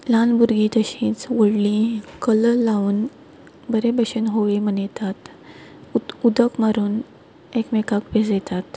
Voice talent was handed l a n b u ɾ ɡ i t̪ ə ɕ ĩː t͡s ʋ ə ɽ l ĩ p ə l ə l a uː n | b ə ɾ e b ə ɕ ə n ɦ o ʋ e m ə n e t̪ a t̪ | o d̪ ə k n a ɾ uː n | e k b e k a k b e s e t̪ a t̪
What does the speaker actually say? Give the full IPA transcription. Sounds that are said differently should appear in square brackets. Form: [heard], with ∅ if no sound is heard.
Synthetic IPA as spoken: l a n b u ɾ ɡ i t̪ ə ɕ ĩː t͡s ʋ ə ɽ l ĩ [k] ə l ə l a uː n | b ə ɾ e b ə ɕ ə n ɦ o ʋ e m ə n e t̪ a t̪ | [u] d̪ ə k [m] a ɾ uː n | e k [m] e k a k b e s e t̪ a t̪